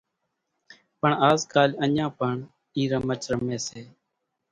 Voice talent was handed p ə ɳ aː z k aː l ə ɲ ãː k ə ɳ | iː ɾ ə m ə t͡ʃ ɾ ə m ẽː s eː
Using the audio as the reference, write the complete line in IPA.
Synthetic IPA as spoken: p ə ɳ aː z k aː l ə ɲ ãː p ə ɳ | iː ɾ ə m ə t͡ʃ ɾ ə m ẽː s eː